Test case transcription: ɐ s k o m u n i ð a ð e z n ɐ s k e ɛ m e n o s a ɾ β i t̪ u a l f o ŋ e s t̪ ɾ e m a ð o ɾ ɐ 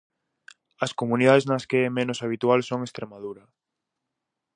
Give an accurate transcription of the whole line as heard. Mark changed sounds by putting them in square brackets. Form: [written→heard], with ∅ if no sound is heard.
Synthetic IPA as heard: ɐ s k o m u n i ð a ð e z n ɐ s k e ɛ m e n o s a [ɾ→∅] β i t̪ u a l [f→s] o ŋ e s t̪ ɾ e m a ð [o→u] ɾ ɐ